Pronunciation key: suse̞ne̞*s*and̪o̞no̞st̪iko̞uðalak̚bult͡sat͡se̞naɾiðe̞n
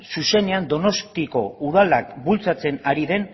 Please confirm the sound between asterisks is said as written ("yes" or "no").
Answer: no